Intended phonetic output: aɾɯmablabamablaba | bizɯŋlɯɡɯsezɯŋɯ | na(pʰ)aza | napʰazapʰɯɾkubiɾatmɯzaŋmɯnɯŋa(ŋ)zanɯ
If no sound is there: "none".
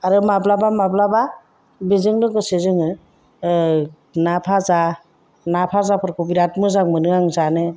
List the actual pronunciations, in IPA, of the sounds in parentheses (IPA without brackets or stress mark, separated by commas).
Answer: pʰ, ŋ